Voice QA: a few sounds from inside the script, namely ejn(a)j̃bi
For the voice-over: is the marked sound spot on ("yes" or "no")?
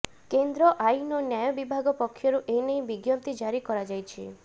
no